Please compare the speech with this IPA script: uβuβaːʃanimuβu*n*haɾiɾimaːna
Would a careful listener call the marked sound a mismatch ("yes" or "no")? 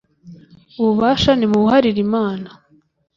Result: yes